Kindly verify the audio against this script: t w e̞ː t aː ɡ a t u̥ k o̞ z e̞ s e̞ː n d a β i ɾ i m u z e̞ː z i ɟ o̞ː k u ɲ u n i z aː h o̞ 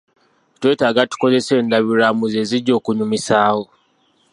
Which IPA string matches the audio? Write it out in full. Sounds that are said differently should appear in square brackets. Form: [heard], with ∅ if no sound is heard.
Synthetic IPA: t w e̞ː t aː ɡ a t u̥ k o̞ z e̞ s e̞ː n d a β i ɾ [a] m u z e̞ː z i ɟ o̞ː k u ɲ u [m] i [s] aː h o̞